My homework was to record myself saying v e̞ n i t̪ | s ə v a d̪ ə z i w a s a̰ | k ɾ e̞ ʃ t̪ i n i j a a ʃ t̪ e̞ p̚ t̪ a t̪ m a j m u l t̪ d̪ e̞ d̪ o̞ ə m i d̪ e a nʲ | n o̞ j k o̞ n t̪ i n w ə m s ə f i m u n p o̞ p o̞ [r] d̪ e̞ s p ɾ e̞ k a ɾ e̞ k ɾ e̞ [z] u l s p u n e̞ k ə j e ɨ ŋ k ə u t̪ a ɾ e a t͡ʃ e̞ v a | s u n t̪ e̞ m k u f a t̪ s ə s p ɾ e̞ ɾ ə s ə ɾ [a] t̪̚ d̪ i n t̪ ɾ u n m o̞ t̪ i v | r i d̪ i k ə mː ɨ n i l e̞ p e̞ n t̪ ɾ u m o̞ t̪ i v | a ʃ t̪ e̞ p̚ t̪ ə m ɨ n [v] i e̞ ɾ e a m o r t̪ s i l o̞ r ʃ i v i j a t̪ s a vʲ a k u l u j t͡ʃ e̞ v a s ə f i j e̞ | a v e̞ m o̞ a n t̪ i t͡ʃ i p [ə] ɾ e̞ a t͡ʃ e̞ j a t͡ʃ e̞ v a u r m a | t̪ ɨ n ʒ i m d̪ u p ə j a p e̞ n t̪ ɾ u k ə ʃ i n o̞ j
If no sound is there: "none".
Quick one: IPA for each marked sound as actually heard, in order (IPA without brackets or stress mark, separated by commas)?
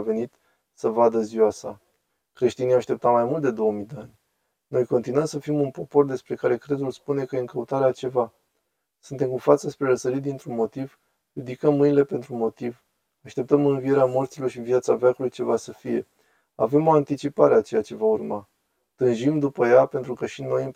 r, z, i, v, a